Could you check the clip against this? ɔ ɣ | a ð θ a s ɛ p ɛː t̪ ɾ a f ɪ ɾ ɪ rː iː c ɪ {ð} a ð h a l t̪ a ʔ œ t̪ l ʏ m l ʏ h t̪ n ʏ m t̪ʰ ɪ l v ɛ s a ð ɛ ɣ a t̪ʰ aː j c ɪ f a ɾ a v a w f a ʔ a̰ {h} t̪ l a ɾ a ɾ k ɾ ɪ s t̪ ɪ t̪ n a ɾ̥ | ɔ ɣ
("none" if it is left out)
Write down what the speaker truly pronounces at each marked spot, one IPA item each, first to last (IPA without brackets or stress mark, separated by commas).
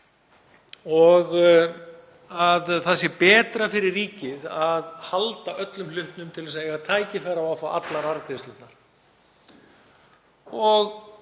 ð, none